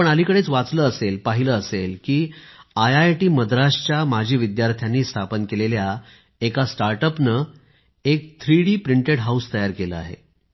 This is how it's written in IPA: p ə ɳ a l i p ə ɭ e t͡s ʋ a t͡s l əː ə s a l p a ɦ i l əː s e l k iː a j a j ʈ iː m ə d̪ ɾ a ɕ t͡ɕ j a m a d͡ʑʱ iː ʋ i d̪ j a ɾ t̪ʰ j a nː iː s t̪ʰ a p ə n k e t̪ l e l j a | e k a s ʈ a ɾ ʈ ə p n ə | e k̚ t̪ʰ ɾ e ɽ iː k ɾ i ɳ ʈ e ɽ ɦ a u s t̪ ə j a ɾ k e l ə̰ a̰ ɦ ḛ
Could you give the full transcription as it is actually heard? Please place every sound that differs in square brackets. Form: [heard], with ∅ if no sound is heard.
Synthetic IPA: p ə ɳ a l i [k] ə [ɽ] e t͡s ʋ a t͡s l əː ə s [e] l p a ɦ i l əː s e l k iː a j a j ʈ iː m ə d̪ ɾ a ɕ t͡ɕ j a m a d͡ʑʱ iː ʋ i d̪ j a ɾ t̪ʰ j a nː iː s t̪ʰ a p ə n k e [∅] l e l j a | e k a s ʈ a ɾ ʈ ə p n ə | e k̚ t̪ʰ ɾ [i] ɽ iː [p] ɾ i ɳ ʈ e ɽ ɦ a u s t̪ ə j a ɾ k e l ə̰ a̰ ɦ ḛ